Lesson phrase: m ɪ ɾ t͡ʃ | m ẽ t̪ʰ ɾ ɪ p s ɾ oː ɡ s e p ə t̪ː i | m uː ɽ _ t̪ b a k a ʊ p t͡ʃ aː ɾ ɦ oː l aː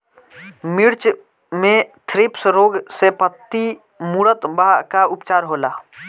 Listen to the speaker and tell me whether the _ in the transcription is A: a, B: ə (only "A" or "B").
B